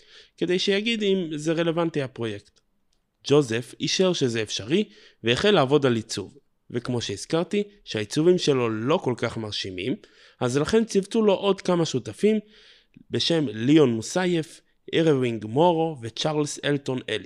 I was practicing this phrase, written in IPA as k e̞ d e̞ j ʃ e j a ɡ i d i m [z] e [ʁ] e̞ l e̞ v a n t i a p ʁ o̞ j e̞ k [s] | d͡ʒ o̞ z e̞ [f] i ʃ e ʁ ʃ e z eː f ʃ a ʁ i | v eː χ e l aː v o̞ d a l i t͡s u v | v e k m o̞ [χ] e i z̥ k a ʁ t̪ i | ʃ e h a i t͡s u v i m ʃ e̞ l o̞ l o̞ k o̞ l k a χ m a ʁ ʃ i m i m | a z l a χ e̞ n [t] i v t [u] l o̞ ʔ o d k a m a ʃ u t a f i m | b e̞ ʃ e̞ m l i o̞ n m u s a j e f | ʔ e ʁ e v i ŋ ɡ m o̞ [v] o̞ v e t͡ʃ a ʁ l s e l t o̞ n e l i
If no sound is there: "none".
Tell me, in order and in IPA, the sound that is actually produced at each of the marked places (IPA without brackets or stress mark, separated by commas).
z, ʁ, t, f, ʃ, t͡s, u, ʁ